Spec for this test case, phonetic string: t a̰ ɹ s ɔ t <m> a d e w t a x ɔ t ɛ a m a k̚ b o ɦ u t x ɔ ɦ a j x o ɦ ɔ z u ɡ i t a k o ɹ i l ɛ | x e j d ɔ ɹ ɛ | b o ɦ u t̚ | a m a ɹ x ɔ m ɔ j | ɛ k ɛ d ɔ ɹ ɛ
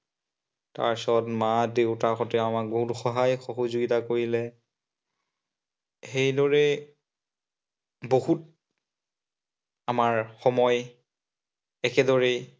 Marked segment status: correct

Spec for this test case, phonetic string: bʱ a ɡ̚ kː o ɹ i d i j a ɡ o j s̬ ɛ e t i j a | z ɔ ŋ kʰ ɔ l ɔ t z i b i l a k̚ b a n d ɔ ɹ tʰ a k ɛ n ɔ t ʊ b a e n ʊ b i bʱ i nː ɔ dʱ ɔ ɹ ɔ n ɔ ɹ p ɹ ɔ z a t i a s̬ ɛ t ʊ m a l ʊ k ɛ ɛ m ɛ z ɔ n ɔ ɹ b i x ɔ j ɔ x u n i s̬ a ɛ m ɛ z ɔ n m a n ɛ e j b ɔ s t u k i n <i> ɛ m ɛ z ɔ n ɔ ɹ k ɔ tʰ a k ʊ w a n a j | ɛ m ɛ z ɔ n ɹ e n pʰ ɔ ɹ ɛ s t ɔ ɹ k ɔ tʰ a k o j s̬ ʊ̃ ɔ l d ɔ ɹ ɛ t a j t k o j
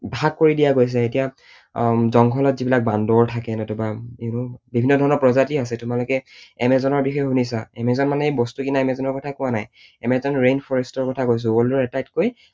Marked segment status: incorrect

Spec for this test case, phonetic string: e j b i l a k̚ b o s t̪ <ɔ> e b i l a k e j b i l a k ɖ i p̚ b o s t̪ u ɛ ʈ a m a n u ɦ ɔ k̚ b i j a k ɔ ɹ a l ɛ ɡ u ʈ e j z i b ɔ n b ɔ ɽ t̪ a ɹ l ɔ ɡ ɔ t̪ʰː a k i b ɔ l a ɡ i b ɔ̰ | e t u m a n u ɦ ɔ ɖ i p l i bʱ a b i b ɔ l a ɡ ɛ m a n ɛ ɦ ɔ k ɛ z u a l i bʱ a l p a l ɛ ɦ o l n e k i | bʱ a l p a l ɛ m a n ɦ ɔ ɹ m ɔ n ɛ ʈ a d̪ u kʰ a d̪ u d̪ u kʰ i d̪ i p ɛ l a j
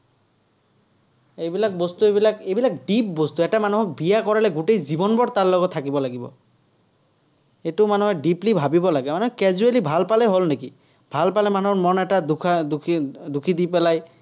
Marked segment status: incorrect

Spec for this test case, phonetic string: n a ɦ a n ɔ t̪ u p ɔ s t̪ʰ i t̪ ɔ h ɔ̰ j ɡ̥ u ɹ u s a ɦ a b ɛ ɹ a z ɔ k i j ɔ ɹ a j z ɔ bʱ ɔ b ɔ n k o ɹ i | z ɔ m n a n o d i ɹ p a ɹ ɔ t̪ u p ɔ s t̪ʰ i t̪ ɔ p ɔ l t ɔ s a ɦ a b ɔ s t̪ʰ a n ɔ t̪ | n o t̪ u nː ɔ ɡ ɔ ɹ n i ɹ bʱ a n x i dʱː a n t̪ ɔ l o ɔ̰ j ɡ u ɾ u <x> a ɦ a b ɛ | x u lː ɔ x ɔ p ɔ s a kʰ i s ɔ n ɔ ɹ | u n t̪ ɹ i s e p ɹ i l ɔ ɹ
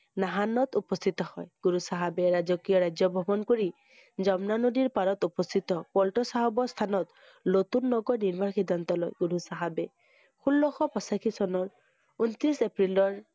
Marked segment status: incorrect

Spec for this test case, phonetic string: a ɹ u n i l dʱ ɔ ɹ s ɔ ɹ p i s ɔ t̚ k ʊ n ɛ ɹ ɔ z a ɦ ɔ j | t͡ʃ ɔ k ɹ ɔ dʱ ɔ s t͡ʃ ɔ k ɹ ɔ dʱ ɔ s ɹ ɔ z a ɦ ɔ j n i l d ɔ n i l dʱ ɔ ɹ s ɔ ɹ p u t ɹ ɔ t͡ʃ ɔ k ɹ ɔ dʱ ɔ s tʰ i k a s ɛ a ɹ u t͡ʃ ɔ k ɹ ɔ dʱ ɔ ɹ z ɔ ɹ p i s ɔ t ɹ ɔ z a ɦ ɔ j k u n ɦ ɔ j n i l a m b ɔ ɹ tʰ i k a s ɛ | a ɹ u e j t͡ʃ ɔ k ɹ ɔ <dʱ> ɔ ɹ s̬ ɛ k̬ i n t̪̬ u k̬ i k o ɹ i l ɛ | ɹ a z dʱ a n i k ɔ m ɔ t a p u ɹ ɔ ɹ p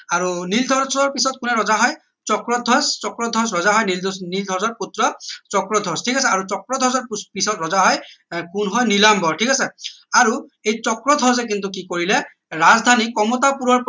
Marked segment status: correct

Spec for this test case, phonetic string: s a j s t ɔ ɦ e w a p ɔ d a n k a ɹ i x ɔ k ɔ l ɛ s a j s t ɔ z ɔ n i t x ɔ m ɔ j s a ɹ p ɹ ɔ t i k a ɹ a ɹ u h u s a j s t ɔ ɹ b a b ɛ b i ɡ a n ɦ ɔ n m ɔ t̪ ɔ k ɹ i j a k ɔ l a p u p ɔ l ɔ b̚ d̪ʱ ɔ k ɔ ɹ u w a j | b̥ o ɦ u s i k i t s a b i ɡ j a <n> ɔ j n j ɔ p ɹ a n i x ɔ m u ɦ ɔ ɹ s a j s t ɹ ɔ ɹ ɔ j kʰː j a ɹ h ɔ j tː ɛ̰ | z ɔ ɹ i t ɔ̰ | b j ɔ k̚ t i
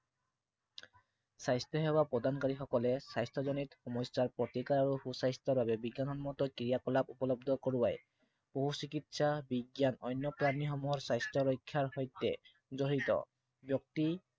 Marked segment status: correct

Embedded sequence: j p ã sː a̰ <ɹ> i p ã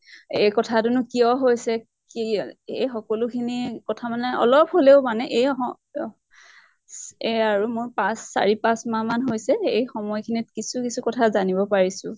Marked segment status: correct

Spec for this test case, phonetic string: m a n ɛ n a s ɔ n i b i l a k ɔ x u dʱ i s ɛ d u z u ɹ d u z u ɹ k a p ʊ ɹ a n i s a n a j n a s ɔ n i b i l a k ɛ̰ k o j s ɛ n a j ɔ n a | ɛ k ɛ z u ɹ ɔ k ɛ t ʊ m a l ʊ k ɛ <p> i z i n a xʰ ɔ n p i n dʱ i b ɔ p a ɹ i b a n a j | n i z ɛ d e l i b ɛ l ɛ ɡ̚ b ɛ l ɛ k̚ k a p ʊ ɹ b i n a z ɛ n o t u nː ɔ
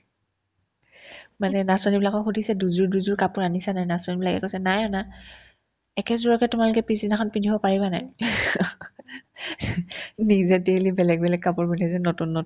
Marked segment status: correct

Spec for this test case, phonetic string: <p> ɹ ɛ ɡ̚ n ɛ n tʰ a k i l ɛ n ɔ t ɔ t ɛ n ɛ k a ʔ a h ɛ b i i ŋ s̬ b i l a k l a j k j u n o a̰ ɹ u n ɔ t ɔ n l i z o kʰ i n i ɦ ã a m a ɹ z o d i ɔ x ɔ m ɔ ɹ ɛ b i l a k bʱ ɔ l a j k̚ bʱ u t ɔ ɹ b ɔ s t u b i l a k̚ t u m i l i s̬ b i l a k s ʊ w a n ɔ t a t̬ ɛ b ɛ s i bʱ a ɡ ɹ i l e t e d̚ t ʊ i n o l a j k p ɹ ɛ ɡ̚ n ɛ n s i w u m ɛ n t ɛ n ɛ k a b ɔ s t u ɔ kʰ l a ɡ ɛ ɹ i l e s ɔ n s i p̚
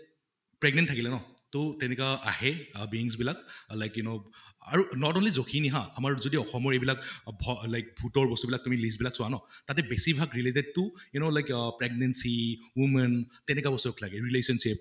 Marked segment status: correct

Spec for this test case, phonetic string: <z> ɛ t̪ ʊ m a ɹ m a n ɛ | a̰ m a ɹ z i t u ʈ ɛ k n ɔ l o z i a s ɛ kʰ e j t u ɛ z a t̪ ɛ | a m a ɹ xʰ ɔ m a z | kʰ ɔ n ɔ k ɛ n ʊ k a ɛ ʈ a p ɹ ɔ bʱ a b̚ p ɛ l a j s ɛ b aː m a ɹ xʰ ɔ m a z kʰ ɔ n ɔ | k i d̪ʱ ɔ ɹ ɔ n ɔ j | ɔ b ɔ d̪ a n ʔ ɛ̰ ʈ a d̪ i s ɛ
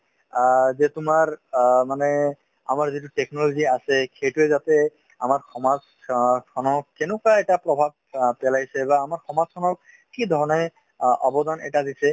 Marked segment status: correct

